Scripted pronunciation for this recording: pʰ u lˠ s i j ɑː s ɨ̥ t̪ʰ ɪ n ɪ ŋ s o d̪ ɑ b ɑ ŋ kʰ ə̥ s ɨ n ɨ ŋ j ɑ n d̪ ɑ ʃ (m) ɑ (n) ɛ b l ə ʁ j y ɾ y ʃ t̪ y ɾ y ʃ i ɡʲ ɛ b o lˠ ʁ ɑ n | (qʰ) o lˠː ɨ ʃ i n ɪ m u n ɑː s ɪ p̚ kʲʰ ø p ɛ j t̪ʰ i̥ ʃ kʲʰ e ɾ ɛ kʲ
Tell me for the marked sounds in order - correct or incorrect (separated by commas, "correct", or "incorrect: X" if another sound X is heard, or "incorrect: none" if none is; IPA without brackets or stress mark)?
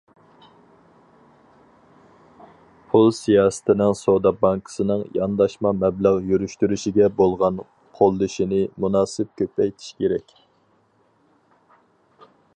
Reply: correct, incorrect: m, correct